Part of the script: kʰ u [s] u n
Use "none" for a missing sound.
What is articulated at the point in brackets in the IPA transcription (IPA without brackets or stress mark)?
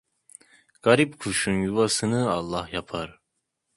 ʃ